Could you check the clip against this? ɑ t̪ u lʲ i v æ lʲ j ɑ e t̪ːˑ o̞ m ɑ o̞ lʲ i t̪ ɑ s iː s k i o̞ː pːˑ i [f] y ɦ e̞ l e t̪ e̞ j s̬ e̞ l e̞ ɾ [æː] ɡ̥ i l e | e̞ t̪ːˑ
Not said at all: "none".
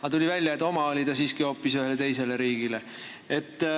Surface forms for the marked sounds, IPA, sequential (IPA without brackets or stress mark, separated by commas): s, iː